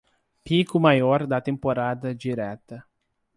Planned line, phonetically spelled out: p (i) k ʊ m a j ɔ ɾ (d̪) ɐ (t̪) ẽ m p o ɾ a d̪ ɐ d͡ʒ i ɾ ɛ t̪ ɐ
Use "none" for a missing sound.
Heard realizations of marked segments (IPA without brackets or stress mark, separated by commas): i, d̪, t̪